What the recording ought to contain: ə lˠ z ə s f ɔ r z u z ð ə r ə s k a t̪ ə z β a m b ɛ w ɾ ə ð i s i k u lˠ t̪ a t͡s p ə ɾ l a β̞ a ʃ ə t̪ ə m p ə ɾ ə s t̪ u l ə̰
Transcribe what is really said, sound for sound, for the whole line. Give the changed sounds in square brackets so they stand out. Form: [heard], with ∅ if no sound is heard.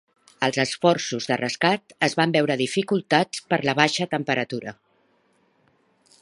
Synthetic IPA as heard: ə lˠ z ə s f ɔ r [s] u z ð ə r ə s k a t̪ ə z β a m b ɛ w ɾ ə ð i [f] i k u lˠ t̪ a t͡s p ə ɾ l [ə] β̞ a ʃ ə t̪ ə m p ə ɾ ə [∅] t̪ u [ɾ] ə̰